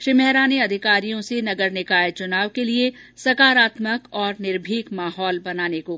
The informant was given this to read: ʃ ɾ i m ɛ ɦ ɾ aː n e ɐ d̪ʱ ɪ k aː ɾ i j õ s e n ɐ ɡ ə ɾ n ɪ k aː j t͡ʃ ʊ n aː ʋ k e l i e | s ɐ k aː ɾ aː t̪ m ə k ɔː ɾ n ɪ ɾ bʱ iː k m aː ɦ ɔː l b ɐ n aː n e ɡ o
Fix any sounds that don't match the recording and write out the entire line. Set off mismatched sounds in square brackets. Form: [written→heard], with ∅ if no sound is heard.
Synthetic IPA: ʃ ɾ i m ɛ ɦ ɾ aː n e ɐ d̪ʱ ɪ k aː ɾ i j õ s e n ɐ ɡ ə ɾ n ɪ k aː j t͡ʃ ʊ n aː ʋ k e l i e | s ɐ k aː ɾ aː t̪ m ə k ɔː ɾ n ɪ ɾ bʱ iː k m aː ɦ ɔː l b ɐ n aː n e [ɡ→k] o